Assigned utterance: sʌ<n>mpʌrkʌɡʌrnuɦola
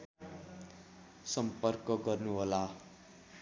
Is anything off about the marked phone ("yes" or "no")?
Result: yes